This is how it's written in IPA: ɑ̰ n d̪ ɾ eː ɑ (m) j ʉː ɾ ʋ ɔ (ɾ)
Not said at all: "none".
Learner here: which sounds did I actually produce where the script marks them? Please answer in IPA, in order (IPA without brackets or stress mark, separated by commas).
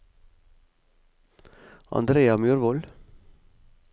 m, l